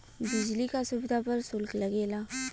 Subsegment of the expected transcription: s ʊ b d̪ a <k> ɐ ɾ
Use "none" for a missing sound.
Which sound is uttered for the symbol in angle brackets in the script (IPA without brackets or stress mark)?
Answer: p